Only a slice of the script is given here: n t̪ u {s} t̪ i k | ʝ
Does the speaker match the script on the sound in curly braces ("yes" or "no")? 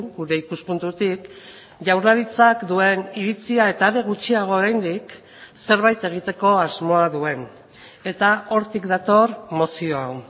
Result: no